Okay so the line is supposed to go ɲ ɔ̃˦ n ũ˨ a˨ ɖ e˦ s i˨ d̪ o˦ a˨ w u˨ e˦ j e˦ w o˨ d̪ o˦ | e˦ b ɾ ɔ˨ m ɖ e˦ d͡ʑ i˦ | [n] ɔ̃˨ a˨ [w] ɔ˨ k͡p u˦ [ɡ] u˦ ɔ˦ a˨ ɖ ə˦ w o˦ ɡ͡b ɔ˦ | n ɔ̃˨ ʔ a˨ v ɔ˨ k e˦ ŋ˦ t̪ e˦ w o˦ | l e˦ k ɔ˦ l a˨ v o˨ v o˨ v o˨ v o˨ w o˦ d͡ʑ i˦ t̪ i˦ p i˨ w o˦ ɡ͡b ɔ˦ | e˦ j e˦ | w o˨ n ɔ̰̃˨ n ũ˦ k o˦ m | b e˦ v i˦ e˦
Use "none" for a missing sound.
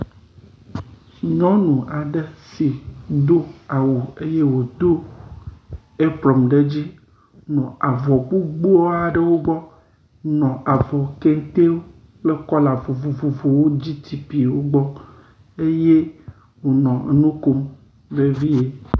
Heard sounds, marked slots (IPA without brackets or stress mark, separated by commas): n, v, ɡ͡b